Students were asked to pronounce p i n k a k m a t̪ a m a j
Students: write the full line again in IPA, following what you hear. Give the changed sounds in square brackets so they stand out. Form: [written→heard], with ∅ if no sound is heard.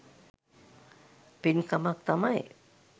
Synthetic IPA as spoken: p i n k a [k→∅] m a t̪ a m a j